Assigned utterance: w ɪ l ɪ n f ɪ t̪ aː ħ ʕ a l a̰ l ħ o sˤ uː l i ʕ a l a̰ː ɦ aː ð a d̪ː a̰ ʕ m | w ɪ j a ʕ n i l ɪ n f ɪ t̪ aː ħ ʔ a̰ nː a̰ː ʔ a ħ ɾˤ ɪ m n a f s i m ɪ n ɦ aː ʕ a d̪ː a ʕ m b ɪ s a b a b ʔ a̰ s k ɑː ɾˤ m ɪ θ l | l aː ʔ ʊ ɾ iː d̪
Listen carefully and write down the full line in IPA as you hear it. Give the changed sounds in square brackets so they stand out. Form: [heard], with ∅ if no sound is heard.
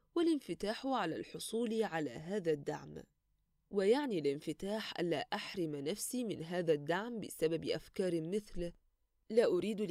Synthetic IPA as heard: w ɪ l ɪ n f ɪ t̪ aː ħ ʕ a l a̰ l ħ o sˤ uː l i ʕ a l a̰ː ɦ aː ð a d̪ː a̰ ʕ m | w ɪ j a ʕ n i l ɪ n f ɪ t̪ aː ħ ʔ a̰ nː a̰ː ʔ a ħ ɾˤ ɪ m n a f s i m ɪ n ɦ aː [ð] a d̪ː a ʕ m b ɪ s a b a b ʔ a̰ [f] k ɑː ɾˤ m ɪ θ l | l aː ʔ ʊ ɾ iː d̪